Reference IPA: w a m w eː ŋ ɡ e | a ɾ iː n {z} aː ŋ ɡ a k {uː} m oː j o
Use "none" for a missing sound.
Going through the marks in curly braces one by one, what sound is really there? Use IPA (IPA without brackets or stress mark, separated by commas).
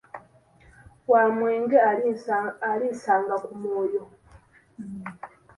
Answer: s, u